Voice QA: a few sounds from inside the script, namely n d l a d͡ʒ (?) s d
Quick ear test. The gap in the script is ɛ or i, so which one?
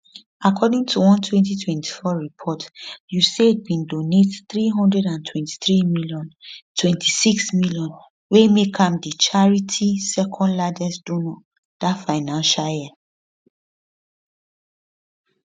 ɛ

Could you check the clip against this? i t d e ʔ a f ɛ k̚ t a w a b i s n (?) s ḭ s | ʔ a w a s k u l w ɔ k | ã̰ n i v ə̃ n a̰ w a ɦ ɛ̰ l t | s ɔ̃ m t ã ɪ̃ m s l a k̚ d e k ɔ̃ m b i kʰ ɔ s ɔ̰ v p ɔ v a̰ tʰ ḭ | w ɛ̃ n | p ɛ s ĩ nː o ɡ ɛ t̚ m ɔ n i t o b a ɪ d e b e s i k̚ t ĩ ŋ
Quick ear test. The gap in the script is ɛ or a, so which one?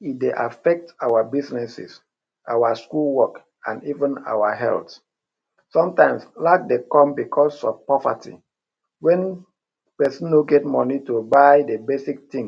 ɛ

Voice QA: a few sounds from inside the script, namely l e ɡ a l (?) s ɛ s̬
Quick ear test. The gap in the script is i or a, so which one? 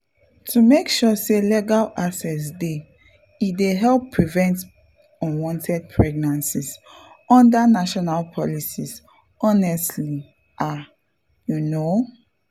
a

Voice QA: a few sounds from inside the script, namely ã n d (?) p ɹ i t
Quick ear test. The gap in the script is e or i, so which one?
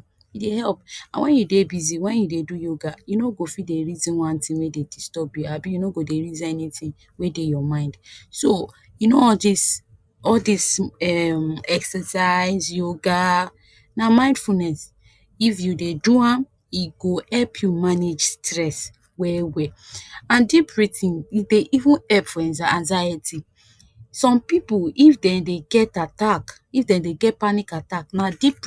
i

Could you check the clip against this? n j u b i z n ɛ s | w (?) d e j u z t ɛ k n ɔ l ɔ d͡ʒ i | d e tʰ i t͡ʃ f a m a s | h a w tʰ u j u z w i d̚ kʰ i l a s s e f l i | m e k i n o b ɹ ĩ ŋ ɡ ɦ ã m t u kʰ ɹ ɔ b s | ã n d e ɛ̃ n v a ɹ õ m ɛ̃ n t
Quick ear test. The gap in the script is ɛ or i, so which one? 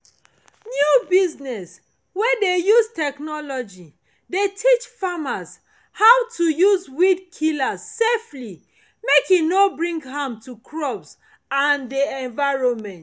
ɛ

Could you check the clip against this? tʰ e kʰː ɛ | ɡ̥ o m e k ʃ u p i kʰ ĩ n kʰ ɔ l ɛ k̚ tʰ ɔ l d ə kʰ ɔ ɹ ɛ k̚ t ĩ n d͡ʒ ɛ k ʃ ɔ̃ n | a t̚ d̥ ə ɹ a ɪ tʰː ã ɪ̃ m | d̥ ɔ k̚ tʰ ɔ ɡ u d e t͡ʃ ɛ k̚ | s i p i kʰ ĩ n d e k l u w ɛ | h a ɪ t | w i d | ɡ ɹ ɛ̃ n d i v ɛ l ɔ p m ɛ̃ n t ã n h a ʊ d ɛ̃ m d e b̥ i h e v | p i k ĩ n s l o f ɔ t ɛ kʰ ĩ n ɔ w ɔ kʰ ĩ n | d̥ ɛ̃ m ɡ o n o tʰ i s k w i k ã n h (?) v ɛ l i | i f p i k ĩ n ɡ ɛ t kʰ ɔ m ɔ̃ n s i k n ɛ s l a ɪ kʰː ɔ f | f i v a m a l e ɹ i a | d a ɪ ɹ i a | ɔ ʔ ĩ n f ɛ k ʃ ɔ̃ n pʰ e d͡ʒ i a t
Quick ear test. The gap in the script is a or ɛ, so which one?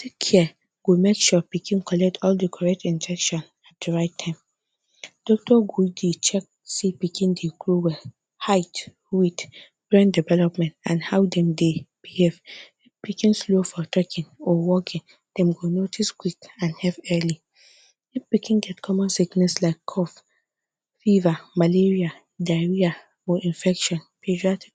ɛ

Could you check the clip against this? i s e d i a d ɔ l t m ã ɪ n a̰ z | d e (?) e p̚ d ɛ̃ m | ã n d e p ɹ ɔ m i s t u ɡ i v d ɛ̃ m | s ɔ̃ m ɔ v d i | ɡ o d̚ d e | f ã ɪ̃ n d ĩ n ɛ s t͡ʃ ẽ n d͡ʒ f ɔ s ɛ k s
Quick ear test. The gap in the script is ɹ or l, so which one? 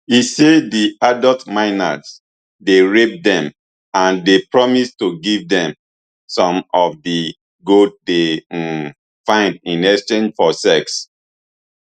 ɹ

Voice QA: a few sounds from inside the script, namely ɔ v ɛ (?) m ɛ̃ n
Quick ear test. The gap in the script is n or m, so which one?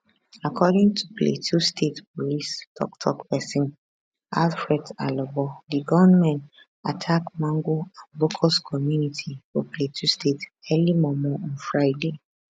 n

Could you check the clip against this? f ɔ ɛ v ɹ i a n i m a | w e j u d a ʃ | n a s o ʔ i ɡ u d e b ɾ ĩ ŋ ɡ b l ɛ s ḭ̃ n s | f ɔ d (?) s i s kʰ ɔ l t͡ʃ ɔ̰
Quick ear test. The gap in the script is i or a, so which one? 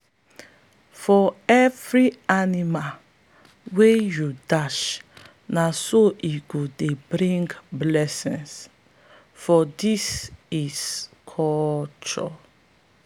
i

